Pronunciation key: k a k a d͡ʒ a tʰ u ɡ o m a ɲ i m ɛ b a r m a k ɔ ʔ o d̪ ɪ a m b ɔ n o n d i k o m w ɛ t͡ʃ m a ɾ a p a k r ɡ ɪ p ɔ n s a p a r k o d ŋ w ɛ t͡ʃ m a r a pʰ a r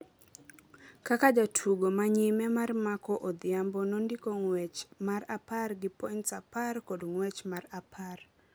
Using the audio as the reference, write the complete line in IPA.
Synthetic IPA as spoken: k a k a d͡ʒ a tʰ u ɡ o m a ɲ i m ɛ m a r m a k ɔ ʔ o d̪ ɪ a m b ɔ n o n d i k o ŋ w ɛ t͡ʃ m a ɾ a p a r ɡ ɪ p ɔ n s a p a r k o d ŋ w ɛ t͡ʃ m a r a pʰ a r